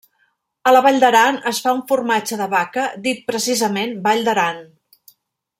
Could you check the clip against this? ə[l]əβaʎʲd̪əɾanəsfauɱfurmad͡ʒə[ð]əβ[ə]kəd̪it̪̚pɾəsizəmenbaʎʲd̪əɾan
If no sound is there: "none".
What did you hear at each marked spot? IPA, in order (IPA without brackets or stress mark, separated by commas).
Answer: l, ð, a